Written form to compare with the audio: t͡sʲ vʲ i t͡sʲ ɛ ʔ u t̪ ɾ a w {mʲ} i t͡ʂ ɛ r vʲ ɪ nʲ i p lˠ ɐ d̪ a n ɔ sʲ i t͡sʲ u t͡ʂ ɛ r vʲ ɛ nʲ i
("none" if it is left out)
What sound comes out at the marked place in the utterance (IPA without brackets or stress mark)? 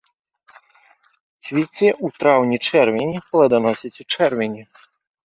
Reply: nʲ